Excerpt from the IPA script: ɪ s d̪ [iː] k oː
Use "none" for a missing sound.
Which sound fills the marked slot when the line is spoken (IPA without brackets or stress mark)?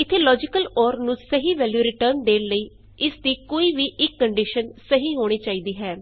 iː